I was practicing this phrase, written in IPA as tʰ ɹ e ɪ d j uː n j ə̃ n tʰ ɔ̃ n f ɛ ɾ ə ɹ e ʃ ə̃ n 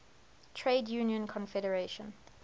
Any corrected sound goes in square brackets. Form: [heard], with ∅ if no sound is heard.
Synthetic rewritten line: tʰ ɹ e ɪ d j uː n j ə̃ n [kʰ] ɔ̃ n f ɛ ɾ ə ɹ e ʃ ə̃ n